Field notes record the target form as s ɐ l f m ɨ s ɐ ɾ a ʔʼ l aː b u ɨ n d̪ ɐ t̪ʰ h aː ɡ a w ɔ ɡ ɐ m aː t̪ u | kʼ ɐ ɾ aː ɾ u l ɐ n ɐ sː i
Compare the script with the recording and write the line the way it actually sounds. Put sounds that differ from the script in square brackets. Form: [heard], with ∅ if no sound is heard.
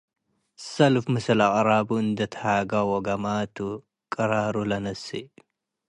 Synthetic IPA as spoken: s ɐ l f m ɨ s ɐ [l] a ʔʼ [ɾ] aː b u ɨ n d̪ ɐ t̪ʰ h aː ɡ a w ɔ ɡ ɐ m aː t̪ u | kʼ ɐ ɾ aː ɾ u l ɐ n ɐ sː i